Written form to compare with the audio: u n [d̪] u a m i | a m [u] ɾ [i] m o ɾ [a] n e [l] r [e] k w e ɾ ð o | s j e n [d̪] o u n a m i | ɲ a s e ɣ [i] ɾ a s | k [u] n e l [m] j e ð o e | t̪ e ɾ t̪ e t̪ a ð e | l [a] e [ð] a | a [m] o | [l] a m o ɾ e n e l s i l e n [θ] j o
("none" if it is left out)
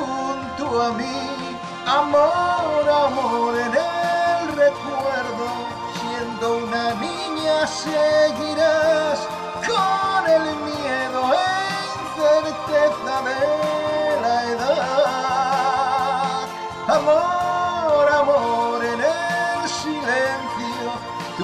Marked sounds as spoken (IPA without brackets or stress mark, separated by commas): t̪, o, a, e, l, e, d̪, i, o, m, a, ð, m, ɾ, θ